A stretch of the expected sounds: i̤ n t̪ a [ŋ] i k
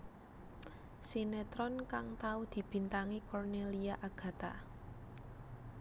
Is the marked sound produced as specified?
yes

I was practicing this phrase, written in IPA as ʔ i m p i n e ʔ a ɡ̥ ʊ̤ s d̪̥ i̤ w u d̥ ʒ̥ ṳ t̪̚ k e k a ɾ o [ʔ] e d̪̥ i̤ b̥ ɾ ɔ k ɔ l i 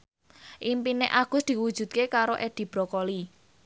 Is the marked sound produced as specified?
yes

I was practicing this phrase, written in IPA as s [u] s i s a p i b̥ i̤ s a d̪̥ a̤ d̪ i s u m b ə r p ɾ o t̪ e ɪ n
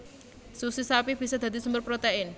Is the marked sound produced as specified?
yes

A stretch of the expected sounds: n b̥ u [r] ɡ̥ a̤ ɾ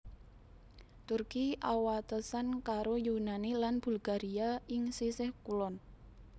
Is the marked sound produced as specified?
no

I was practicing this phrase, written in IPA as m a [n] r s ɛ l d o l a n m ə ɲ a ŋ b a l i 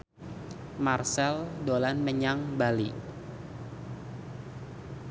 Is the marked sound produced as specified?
no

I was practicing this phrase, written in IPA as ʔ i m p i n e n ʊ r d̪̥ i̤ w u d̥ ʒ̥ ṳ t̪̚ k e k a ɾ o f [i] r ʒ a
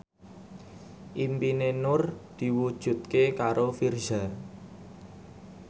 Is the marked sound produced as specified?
yes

